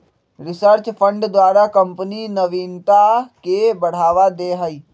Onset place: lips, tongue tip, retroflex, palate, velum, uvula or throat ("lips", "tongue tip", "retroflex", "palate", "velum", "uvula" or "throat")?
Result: tongue tip